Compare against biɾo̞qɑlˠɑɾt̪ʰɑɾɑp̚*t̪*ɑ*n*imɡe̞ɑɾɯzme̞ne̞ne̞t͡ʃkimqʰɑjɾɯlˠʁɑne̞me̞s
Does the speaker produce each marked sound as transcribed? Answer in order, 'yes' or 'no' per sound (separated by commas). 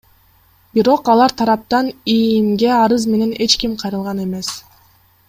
yes, yes